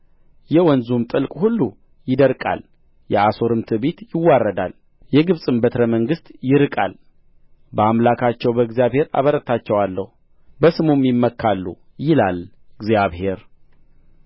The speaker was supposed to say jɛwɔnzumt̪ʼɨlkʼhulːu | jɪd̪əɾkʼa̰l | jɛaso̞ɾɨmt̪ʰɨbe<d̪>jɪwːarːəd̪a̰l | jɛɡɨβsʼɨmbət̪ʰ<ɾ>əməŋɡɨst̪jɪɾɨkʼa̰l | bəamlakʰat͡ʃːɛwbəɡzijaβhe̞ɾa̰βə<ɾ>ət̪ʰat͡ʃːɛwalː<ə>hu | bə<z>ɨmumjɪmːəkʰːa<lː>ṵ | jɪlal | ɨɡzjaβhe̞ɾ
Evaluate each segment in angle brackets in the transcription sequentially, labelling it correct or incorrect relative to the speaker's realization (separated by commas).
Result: incorrect, correct, correct, correct, incorrect, correct